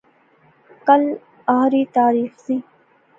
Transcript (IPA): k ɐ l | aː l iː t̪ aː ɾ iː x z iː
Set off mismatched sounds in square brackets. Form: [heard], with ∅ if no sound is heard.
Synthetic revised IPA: k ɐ l | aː [ɾ] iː t̪ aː ɾ iː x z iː